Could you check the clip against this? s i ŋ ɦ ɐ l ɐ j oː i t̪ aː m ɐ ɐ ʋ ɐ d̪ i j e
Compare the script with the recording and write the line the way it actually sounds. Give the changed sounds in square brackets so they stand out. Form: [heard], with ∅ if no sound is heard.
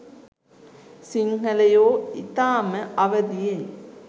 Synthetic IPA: s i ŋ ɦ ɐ l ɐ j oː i t̪ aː m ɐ ɐ ʋ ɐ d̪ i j e